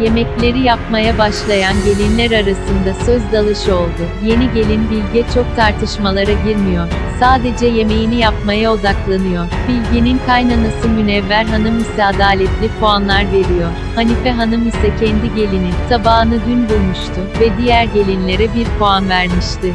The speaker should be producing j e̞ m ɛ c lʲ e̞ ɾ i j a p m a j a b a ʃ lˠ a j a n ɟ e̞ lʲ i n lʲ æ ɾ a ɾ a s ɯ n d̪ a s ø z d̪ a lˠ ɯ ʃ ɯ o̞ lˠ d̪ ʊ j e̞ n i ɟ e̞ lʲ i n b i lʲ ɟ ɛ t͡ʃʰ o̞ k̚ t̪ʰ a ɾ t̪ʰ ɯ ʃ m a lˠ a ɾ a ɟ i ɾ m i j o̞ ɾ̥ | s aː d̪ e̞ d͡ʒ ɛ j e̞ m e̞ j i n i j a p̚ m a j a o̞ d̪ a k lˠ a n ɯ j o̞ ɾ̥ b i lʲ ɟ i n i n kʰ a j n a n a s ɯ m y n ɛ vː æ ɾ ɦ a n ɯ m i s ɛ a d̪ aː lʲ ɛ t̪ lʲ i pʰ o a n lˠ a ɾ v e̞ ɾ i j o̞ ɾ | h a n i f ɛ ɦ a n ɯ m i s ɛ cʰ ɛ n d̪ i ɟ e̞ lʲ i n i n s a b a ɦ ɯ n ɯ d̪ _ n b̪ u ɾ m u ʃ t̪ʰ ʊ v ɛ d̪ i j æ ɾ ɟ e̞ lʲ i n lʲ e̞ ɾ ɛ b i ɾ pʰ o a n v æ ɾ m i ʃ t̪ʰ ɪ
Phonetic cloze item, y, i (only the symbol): y